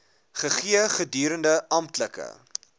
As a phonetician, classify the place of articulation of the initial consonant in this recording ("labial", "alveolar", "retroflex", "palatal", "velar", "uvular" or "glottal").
uvular